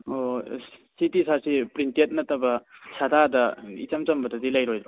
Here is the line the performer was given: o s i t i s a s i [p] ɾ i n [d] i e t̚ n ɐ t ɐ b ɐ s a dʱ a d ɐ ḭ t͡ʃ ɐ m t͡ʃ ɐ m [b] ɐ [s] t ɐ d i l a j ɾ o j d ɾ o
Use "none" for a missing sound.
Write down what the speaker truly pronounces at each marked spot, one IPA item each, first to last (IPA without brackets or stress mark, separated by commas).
p, t, b, none